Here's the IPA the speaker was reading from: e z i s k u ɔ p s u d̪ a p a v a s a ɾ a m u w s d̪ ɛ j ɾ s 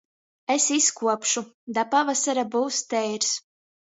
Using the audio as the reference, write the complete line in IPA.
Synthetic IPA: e s i s k u ɔ p ʃ u d̪ a p a v a s a ɾ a b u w s t̪ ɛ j ɾ s